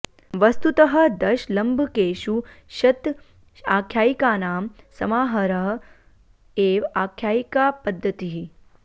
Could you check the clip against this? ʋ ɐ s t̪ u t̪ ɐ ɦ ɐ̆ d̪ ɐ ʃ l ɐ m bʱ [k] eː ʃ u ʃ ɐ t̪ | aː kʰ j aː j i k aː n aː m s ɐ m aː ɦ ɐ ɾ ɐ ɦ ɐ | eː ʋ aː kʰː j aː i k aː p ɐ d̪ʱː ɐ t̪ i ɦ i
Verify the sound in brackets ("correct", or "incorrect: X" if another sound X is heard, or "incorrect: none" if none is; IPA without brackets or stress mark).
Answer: correct